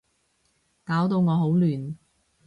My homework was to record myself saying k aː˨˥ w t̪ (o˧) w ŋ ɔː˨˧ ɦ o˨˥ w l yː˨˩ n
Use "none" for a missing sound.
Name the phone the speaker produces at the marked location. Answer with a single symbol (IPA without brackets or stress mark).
o˧